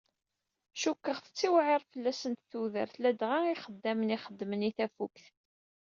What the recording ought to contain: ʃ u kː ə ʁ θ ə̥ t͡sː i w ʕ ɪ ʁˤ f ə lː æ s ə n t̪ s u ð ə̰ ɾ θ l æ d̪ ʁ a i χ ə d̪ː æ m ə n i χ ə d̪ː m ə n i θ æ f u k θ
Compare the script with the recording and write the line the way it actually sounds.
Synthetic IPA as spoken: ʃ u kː ə ʁ θ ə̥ t͡sː i w ʕ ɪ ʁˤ f ə lː æ s ə n t̪ θ u ð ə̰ ɾ θ l æ d̪ ʁ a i χ ə d̪ː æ m ə n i χ ə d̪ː m ə n i θ æ f u k θ